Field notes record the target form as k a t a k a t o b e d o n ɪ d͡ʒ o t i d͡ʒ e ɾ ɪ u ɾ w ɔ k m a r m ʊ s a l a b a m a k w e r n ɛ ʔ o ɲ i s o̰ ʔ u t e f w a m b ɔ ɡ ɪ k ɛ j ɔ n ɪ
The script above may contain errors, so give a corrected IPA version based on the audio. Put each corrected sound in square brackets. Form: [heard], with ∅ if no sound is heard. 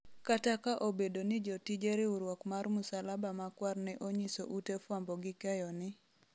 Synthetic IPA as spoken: k a t a k a [ʔ] o b e d o n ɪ d͡ʒ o t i d͡ʒ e ɾ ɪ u ɾ w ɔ k m a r m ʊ s a l a b a m a k w [a] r n ɛ ʔ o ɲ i s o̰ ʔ u t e f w a m b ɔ ɡ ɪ k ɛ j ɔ n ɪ